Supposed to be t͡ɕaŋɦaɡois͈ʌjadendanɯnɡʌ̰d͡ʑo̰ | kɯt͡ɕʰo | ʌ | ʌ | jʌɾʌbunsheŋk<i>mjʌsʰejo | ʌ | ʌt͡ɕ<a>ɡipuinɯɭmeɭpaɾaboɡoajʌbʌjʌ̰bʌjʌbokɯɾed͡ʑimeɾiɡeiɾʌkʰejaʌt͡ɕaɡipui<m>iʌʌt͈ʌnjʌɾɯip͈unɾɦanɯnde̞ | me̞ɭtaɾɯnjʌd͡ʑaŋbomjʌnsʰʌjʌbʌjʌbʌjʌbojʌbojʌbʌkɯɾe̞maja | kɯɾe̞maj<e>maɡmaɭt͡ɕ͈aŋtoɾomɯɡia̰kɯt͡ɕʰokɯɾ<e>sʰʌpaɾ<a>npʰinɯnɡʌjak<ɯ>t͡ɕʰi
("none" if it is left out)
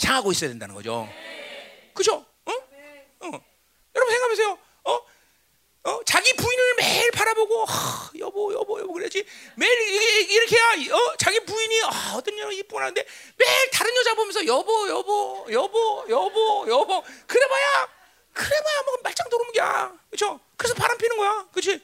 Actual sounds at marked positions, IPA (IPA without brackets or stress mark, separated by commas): a, a, ɲ, a, e, a, ɯ